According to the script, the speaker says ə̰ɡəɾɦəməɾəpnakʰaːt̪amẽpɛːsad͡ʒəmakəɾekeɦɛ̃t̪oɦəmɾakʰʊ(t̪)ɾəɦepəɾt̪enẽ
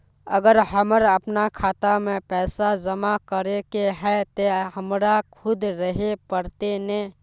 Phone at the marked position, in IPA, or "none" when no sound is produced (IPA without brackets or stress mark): d̪